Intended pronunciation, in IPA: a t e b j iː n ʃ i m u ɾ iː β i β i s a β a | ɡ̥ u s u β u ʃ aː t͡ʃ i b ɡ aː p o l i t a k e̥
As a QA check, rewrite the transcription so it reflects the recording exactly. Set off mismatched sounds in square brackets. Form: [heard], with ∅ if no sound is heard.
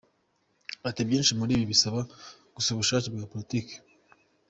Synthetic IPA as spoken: a t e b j iː n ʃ i m u ɾ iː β i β i s a β a | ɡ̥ u s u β u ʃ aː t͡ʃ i b ɡ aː p o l i t [i] k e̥

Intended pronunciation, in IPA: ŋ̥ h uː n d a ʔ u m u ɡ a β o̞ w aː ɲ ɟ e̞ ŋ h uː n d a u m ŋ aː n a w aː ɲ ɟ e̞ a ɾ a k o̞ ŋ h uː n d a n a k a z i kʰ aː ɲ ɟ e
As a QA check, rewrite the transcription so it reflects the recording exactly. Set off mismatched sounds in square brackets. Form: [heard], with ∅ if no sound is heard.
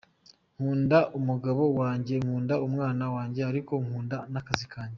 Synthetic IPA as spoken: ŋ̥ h uː n d a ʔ u m u ɡ a β o̞ w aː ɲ ɟ e̞ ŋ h uː n d a u m ŋ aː n a w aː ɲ ɟ e̞ a ɾ [i] k o̞ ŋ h uː n d a n a k a z i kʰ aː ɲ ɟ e

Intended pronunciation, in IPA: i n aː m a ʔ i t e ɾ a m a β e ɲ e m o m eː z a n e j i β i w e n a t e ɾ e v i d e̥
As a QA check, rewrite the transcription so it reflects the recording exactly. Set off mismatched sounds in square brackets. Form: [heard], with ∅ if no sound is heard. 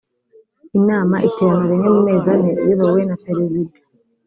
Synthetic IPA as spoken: i n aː m a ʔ i t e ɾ a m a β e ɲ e m [u] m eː z a n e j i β [a] w e n a t e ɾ e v i d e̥

